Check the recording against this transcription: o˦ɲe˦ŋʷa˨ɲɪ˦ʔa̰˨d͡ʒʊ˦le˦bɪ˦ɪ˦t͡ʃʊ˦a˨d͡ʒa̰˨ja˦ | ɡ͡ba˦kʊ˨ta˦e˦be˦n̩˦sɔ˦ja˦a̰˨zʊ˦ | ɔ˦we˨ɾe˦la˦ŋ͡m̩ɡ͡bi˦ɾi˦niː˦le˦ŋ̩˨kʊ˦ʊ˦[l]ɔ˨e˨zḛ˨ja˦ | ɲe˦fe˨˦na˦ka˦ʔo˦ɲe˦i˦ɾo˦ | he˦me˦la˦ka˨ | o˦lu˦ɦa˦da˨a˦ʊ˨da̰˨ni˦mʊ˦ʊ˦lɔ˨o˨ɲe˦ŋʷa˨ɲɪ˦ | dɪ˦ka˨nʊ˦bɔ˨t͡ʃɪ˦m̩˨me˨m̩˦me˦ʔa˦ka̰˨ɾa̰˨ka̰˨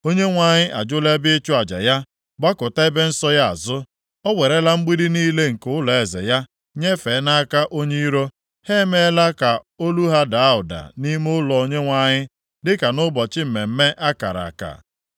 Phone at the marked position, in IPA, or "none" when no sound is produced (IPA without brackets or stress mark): l